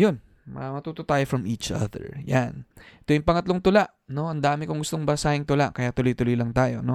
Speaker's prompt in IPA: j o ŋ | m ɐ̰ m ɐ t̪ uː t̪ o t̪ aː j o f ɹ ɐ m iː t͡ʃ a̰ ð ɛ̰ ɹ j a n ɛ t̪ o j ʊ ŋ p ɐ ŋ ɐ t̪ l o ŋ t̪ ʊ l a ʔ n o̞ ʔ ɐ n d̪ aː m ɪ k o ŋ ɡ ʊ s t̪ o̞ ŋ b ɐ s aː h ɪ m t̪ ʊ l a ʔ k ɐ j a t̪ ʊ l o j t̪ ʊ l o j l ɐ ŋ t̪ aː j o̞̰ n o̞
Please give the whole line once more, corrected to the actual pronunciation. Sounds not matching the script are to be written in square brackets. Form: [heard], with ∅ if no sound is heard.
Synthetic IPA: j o [n] | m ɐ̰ m ɐ t̪ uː t̪ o t̪ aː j o f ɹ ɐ m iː t͡ʃ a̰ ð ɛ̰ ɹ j a n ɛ t̪ o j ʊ ŋ p ɐ ŋ ɐ t̪ l o ŋ t̪ ʊ l a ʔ n o̞ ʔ ɐ n d̪ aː m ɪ k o ŋ ɡ ʊ s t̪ o̞ ŋ b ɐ s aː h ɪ [ŋ] t̪ ʊ l a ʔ k ɐ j a t̪ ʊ l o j t̪ ʊ l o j l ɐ ŋ t̪ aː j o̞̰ n o̞